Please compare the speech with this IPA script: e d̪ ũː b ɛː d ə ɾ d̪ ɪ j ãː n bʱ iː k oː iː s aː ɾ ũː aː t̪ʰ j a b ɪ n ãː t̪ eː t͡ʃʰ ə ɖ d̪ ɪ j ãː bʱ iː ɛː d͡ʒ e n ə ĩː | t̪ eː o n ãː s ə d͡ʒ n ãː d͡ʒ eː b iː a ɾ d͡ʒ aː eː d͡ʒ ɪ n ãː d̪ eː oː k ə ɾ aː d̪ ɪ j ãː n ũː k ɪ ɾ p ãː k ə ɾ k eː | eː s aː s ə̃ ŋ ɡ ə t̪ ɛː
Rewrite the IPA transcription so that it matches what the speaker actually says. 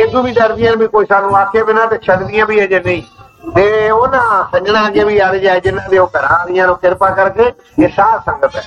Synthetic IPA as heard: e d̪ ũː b iː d ə ɾ d̪ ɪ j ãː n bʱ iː k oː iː s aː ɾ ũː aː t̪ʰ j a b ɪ n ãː t̪ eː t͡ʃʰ ə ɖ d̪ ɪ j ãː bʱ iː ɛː d͡ʒ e n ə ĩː | t̪ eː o n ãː s ə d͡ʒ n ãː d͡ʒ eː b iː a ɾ d͡ʒ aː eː d͡ʒ ɪ n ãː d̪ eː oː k ə ɾ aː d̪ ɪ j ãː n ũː k ɪ ɾ p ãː k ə ɾ k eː | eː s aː s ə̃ ŋ ɡ ə t̪ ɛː